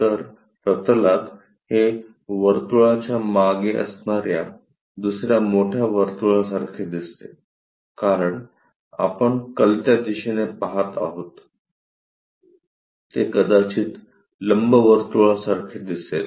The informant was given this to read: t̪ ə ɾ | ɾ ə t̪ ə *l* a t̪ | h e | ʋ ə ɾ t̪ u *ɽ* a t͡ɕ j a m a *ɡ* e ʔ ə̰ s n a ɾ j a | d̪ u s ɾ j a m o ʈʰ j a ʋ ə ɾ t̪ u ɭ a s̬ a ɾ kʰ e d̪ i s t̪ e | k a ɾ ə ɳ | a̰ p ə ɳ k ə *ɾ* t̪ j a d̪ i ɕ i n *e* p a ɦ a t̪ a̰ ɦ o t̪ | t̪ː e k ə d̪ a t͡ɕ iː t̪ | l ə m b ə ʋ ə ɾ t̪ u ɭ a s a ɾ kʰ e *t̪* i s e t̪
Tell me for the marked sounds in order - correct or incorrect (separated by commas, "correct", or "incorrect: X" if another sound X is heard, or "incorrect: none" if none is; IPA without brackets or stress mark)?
correct, incorrect: ɭ, correct, incorrect: l, correct, incorrect: d̪